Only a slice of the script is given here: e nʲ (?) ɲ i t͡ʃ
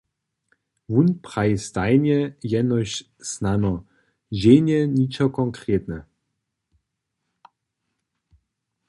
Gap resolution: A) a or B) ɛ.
B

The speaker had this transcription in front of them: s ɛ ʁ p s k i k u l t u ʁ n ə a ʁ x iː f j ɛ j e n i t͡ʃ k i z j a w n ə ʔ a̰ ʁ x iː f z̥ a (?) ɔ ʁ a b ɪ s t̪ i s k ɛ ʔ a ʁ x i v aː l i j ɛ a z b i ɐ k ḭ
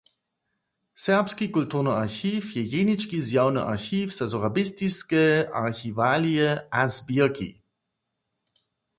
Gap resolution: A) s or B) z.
B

